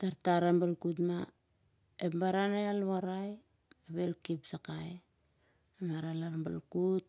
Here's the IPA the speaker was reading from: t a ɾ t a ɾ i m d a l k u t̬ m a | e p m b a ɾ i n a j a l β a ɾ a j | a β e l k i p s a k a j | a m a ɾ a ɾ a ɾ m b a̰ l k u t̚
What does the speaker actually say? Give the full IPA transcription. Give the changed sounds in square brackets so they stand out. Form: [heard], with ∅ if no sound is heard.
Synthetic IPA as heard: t a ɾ t a ɾ [a] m [b] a l k u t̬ m a | e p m b a ɾ [a] n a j a l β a ɾ a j | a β e l k i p s a k a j | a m a ɾ a [l] a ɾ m b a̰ l k u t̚

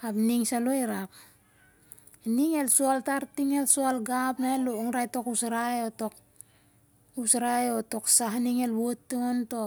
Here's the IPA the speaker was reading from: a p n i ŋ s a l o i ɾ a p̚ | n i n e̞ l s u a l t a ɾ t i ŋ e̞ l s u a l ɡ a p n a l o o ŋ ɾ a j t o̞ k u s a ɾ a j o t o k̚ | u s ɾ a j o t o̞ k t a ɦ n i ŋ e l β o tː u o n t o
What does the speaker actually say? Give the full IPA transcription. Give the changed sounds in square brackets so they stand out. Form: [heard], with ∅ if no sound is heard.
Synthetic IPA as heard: a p n i ŋ s a l o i ɾ a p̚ | n i [ŋ] e̞ l s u a l t a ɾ t i ŋ e̞ l s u a l ɡ a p n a l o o ŋ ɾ a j t o̞ k u s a ɾ a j o t o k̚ | u s ɾ a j o t o̞ k [s] a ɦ n i ŋ e l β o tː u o n t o

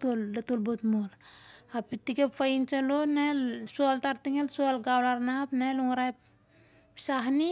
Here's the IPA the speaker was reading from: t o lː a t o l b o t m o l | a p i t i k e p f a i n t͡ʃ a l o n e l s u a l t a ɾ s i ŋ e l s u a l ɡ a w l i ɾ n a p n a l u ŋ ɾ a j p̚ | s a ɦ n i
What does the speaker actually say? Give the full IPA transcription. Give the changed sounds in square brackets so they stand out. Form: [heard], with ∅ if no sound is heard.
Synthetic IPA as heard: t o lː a t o l b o t m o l | a p i t i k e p f a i n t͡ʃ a l o n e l s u a l t a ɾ [t] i ŋ e l s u a l ɡ a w l [a] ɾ n a p n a l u ŋ ɾ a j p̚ | s a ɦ n i

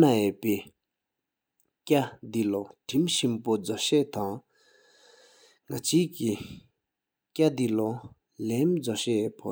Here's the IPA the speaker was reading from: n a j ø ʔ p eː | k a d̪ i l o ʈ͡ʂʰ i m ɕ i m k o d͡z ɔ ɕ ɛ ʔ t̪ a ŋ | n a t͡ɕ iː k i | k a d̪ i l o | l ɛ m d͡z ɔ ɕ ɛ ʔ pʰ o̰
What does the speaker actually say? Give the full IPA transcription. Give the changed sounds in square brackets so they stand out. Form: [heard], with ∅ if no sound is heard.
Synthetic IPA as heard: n a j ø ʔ p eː | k a d̪ i l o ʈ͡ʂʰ i m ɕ i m [p] o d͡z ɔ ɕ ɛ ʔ t̪ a ŋ | [ŋ] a t͡ɕ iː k i | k a d̪ i l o | l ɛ m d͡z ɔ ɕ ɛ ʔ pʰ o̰

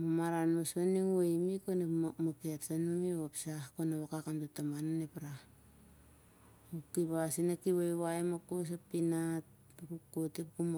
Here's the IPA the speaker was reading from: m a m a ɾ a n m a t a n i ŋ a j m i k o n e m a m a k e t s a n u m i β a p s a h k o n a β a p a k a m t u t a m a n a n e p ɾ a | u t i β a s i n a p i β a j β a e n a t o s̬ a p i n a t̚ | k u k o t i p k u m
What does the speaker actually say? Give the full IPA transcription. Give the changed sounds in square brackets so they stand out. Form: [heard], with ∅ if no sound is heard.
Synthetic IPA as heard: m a m a ɾ a n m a [s] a n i ŋ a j m i k o n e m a m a k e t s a n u m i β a p s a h k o n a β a [k] a k a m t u t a m a n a n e p ɾ a | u [k] i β a s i n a [k] i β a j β a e [m] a [k] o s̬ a p i n a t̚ | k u k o t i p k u m

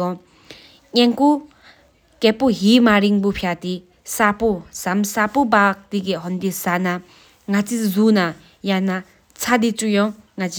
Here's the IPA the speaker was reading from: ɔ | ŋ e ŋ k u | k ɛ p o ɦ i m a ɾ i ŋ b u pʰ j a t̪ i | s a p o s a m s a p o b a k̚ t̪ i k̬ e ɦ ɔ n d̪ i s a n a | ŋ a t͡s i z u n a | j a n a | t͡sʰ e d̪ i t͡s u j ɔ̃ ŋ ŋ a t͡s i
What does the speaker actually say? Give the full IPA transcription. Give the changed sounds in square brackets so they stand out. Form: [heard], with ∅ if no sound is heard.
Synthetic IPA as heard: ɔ | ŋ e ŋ k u | k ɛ p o ɦ i m a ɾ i ŋ b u pʰ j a t̪ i | s a p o s a m s a p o b a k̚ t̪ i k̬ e ɦ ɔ n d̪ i s a n a | ŋ a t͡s i z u n a | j a n a | t͡sʰ [a] d̪ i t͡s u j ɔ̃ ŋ ŋ a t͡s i

